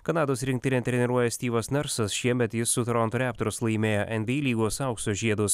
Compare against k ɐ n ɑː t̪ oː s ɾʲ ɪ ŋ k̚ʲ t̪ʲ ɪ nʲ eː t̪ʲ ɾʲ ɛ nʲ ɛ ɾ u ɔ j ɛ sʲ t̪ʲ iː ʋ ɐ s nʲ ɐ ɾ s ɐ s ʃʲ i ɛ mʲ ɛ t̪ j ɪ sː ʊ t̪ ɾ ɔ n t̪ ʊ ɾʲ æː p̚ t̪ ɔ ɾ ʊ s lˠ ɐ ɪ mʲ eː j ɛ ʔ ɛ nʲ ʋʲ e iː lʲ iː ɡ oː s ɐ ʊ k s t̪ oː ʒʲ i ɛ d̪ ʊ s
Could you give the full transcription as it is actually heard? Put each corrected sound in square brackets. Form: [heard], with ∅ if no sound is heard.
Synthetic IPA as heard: k ɐ n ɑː [d̪] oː s ɾʲ ɪ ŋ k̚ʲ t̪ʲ ɪ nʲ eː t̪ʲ ɾʲ ɛ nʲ ɛ ɾ u ɔ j ɛ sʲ t̪ʲ iː ʋ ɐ s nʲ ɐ ɾ s ɐ s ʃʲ i ɛ mʲ ɛ t̪ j ɪ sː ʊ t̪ ɾ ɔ n t̪ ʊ ɾʲ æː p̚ t̪ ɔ ɾ ʊ s lˠ ɐ ɪ mʲ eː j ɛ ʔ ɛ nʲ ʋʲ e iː lʲ iː ɡ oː s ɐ ʊ k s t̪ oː ʒʲ i ɛ d̪ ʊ s